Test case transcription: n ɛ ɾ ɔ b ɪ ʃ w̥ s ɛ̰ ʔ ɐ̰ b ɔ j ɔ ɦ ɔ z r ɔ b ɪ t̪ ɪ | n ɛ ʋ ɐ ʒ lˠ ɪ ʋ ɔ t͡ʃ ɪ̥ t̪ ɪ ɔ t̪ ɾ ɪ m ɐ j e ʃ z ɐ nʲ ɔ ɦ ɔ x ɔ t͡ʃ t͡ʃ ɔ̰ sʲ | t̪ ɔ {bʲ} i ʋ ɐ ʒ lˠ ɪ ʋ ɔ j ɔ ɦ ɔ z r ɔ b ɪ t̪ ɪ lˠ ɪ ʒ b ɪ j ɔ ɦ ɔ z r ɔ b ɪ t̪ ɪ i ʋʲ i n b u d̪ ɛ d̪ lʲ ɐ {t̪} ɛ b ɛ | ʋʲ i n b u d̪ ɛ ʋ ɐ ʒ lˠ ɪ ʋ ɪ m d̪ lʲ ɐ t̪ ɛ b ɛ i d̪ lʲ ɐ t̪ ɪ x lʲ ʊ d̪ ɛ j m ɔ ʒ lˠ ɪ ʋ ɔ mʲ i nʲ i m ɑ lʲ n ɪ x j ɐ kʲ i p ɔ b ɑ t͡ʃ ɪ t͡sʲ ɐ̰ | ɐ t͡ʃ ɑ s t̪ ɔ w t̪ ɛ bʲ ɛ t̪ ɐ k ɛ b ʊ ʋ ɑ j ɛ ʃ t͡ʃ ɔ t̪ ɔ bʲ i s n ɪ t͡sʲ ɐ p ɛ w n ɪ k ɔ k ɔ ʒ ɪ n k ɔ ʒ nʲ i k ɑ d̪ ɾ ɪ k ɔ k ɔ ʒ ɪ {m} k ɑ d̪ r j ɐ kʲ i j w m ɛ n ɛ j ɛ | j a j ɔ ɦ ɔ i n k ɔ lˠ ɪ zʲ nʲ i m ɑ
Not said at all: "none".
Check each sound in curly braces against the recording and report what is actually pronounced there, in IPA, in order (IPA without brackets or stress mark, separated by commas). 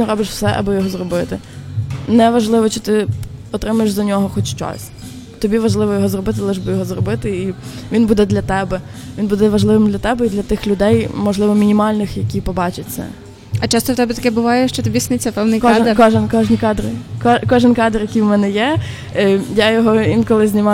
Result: bʲ, t̪, n